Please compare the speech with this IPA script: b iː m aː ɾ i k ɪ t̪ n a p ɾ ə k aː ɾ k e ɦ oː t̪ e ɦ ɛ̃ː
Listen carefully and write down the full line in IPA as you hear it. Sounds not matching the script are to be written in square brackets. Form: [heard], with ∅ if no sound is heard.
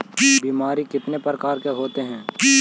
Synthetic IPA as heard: b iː m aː ɾ i k ɪ t̪ n [e] p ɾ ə k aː ɾ k e ɦ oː t̪ e ɦ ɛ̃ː